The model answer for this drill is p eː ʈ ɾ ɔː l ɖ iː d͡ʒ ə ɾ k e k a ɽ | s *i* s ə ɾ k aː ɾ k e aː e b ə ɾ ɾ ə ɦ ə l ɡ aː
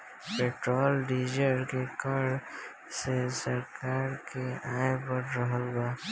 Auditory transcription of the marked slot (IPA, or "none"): e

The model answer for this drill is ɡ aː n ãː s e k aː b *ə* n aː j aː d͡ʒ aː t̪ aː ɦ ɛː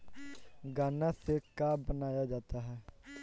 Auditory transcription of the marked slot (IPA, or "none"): ə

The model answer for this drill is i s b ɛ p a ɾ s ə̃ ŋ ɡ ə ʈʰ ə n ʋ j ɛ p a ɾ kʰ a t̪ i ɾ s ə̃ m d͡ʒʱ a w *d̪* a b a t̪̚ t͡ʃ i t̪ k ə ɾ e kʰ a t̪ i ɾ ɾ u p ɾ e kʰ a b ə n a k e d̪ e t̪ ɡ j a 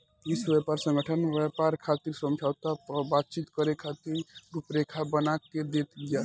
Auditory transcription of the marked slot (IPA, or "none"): t̪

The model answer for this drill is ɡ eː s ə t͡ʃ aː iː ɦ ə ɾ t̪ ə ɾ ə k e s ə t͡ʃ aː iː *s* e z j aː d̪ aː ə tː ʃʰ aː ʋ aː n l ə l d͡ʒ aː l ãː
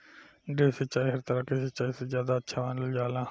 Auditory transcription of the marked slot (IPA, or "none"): s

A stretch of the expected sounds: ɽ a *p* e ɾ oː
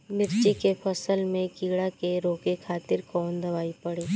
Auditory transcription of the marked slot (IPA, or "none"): k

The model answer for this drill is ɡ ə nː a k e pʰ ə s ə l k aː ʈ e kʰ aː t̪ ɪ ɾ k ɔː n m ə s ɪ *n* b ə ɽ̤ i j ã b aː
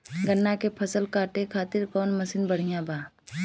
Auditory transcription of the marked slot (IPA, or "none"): n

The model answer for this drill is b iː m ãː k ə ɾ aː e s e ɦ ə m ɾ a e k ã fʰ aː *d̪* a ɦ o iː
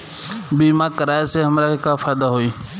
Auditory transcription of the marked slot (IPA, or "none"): d̪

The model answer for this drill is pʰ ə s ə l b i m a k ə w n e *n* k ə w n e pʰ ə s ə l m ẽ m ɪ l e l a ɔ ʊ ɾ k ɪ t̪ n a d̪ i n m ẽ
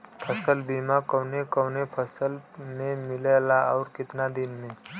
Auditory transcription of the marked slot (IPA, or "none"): none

